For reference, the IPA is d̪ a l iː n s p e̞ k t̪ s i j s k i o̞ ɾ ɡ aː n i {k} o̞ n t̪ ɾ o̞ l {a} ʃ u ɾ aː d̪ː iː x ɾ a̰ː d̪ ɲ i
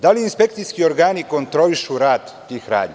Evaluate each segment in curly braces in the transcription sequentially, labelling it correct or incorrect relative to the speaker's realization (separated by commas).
correct, incorrect